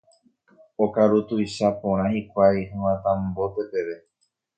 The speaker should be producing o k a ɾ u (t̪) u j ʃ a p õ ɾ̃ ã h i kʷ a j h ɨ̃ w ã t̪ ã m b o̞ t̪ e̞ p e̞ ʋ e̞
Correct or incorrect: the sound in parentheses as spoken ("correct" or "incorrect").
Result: correct